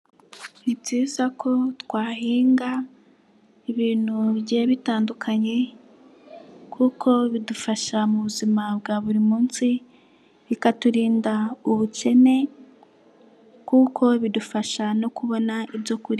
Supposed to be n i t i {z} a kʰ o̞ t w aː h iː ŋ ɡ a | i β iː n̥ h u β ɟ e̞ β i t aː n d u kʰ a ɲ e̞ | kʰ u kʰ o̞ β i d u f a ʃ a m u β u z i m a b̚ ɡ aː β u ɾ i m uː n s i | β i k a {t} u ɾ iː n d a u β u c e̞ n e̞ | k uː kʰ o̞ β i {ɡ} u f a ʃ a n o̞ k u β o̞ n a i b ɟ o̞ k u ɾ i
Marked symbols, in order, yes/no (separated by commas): yes, yes, no